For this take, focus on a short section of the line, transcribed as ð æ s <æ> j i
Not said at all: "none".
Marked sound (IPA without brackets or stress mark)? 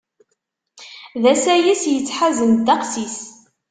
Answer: æ